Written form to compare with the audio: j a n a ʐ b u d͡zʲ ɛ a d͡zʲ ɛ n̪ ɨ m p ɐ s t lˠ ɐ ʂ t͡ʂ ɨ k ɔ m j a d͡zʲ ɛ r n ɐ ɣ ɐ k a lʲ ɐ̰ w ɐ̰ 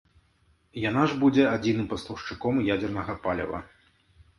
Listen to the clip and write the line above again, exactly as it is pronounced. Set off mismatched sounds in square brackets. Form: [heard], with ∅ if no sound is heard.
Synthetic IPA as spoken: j a n a ʐ b u d͡zʲ ɛ a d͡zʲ [i] n̪ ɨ m p ɐ s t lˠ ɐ ʂ t͡ʂ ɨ k ɔ m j a d͡zʲ ɛ r n ɐ ɣ ɐ [p] a lʲ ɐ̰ [v] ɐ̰